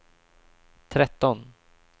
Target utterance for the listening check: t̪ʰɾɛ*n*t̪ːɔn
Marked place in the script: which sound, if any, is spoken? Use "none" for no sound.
none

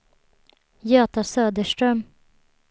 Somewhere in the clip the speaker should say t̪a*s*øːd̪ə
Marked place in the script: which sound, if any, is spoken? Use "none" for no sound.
s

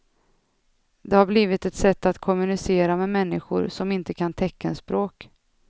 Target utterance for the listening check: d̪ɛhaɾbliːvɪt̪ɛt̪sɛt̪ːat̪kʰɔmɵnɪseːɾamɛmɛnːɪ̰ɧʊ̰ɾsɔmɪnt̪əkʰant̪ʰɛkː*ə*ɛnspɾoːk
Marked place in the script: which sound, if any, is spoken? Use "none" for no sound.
a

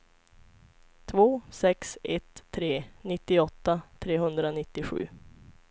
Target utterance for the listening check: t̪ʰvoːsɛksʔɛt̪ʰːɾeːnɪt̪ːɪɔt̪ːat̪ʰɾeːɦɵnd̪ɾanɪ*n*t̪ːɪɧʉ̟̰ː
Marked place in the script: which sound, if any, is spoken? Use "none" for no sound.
none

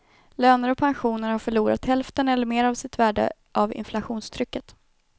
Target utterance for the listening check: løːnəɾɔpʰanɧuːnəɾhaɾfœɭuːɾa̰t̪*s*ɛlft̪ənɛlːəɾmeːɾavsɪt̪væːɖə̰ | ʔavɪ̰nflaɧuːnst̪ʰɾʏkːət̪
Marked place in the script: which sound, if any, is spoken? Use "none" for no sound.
h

